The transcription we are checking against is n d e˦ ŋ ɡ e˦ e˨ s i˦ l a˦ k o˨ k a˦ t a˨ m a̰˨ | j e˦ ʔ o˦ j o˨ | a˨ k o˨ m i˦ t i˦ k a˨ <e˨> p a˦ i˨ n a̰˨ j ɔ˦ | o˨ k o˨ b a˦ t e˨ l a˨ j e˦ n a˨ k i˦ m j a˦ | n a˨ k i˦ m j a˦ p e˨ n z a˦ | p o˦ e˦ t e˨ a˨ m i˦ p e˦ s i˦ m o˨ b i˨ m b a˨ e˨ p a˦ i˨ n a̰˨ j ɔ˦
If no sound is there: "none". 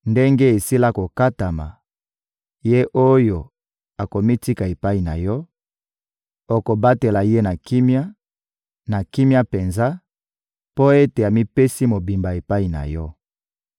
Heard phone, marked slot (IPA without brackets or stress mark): e˨